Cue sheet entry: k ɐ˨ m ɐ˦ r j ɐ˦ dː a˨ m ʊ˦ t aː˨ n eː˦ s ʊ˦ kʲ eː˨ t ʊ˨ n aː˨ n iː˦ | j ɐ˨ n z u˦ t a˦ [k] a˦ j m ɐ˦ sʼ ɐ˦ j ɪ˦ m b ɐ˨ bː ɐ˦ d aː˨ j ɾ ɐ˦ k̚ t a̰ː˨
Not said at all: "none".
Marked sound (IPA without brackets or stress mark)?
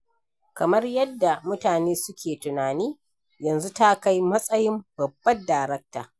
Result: k